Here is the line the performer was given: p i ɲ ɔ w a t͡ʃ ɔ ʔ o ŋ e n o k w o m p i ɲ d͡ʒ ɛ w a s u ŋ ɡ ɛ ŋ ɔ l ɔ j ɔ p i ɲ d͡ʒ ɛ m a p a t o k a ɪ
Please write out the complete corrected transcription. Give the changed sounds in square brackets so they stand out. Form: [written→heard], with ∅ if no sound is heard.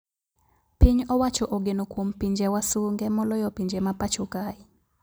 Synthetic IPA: p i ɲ ɔ w a t͡ʃ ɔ ʔ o [ŋ→ɡ] e n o k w o m p i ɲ d͡ʒ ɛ w a s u ŋ ɡ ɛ [ŋ→m] ɔ l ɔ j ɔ p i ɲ d͡ʒ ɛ m a p a [t→t͡ʃ] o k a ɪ